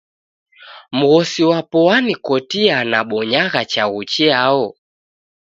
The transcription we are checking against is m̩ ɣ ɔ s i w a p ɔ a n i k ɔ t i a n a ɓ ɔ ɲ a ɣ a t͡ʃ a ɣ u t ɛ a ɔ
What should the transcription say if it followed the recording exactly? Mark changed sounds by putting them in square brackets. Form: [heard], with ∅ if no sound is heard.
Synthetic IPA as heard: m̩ ɣ ɔ s i w a p ɔ a n i k ɔ t i a n a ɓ ɔ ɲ a ɣ a t͡ʃ a ɣ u [t͡ʃ] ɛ a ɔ